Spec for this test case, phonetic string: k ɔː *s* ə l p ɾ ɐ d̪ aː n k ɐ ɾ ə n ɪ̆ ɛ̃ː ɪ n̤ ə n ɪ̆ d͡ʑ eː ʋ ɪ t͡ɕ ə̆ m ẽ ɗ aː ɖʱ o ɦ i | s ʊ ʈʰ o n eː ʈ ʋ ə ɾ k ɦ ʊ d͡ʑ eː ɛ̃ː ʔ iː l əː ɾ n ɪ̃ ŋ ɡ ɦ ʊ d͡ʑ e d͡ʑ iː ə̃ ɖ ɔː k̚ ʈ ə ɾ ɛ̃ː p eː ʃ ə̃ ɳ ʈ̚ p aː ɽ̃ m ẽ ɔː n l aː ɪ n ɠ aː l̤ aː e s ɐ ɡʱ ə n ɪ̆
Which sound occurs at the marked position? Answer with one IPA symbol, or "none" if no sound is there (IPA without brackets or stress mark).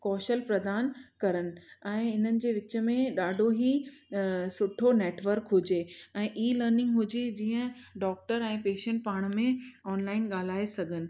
ʃ